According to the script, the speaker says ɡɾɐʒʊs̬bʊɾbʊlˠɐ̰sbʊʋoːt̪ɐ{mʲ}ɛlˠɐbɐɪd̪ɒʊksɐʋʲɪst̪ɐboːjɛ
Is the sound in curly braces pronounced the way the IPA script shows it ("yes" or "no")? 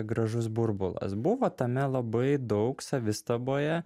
yes